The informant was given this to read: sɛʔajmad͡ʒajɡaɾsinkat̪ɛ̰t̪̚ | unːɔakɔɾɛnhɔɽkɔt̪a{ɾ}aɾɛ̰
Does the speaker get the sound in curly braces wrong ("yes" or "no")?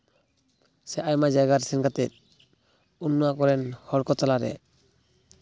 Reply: yes